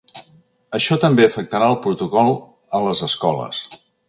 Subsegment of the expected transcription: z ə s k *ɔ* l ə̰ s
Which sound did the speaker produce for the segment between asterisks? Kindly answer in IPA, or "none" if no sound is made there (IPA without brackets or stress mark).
ɔ